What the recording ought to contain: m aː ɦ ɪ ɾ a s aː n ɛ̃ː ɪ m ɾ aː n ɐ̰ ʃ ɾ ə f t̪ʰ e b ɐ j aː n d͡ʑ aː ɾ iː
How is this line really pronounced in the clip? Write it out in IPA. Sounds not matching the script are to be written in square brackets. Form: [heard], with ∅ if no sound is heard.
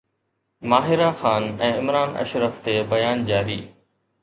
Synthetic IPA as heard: m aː ɦ ɪ ɾ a [x] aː n ɛ̃ː ɪ m ɾ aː n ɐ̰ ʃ ɾ ə f [t̪] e b ɐ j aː n d͡ʑ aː ɾ iː